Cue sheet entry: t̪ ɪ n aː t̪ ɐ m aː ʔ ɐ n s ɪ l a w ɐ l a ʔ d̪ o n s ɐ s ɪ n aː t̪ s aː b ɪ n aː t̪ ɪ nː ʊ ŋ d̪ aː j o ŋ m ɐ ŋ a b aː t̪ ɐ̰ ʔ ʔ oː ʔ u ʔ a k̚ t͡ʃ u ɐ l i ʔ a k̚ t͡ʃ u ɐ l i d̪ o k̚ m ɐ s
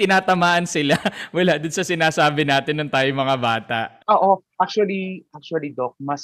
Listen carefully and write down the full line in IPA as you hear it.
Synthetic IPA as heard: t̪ ɪ n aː t̪ ɐ m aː ʔ ɐ n s ɪ l a w ɐ l a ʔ d̪ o n s ɐ s ɪ n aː s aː b ɪ n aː t̪ ɪ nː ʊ ŋ t̪ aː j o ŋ m ɐ ŋ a b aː t̪ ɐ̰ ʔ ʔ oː ʔ o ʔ a k̚ t͡ʃ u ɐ l i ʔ a k̚ t͡ʃ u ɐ l i d̪ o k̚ m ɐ s